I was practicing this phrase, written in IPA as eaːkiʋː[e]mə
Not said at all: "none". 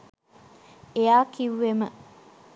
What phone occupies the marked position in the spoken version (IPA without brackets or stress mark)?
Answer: e